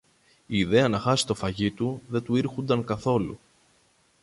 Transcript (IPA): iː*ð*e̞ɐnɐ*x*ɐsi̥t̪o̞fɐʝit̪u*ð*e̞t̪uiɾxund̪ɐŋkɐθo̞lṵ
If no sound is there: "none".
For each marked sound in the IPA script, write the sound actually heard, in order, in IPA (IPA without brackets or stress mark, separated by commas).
ð, x, ð